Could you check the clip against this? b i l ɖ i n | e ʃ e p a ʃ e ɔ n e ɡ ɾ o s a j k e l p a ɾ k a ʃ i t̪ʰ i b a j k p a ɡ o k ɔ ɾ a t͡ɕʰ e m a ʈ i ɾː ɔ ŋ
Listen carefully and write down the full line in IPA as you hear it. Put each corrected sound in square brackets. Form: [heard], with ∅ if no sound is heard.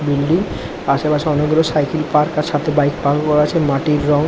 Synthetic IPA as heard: b i l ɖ i [ŋ] | [a] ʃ e p a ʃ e ɔ n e ɡ ɾ o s a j k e l p a ɾ k a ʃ [a] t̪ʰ [e] b a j k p a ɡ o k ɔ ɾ a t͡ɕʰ e m a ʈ i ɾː ɔ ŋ

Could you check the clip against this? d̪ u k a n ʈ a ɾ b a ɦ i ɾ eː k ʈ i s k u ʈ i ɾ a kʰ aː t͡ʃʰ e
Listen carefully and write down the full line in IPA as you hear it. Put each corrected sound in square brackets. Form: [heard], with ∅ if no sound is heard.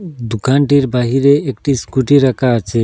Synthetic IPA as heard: d̪ u k a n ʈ [i] ɾ b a ɦ i ɾ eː k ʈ i s k u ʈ i ɾ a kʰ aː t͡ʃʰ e

